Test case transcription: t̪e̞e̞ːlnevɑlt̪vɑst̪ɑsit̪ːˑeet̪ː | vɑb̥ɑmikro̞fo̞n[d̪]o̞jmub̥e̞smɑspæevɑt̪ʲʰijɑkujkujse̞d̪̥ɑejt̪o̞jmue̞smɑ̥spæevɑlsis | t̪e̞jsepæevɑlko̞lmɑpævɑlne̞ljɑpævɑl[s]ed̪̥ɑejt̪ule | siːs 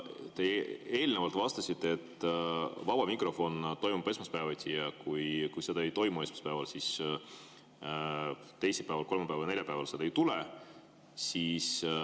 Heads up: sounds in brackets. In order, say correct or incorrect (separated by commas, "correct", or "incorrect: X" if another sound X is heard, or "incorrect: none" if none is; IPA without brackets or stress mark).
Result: incorrect: t̪, correct